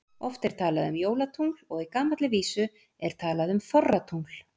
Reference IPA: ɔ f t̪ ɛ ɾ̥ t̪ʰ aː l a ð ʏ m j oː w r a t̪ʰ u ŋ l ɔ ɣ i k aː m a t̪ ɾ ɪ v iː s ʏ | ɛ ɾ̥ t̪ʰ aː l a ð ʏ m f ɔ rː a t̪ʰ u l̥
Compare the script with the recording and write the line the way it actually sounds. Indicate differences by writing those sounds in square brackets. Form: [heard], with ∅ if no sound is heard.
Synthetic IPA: ɔ f t̪ ɛ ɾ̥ t̪ʰ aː l a ð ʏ m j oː w [l] a t̪ʰ u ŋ l ɔ ɣ i k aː m a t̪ [l] ɪ v iː s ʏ | ɛ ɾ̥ t̪ʰ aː l a ð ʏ m f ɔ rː a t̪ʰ u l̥